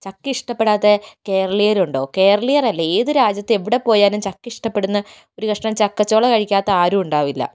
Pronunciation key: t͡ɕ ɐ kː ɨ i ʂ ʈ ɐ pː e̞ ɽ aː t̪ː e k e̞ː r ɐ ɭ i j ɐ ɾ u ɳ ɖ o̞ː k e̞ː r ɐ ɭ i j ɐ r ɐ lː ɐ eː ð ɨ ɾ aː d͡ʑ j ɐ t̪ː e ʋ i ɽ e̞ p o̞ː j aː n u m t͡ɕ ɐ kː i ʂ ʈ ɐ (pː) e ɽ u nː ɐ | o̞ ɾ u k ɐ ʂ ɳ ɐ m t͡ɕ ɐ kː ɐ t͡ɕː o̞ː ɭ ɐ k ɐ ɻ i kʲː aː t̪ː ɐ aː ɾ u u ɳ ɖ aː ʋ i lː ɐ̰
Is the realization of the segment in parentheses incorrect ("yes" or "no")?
no